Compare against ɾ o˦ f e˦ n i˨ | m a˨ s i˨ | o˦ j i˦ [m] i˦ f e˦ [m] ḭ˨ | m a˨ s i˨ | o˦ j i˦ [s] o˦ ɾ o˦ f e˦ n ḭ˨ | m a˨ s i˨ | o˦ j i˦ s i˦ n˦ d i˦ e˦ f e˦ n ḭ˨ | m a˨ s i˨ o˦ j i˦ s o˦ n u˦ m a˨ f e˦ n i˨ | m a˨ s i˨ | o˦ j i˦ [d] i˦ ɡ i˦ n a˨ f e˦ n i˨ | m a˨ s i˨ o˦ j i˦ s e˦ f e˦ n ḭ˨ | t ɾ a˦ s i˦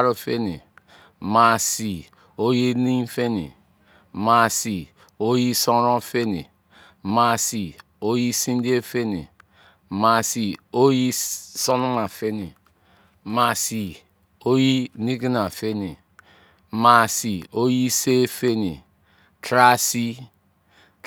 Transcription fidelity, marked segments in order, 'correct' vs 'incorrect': incorrect, incorrect, correct, incorrect

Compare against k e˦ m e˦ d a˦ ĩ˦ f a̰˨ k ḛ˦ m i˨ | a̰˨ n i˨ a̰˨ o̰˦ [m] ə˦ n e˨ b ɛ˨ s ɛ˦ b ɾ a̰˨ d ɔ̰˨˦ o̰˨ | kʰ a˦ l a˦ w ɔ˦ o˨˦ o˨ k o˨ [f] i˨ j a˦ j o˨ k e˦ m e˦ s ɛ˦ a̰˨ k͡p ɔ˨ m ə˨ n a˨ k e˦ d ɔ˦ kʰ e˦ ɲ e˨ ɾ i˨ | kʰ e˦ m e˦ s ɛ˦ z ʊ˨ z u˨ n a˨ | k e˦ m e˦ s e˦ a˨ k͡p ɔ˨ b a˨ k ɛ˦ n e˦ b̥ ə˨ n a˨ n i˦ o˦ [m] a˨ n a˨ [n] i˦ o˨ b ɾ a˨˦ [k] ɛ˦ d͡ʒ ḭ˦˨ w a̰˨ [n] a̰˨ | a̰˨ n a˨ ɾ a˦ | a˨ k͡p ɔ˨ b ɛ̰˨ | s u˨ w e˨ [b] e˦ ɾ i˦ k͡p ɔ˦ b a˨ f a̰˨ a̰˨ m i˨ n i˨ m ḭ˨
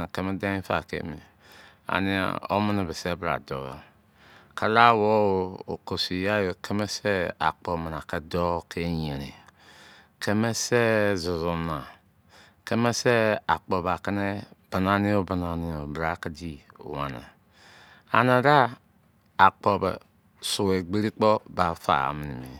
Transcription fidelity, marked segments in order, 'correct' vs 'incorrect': correct, incorrect, incorrect, correct, correct, correct, incorrect

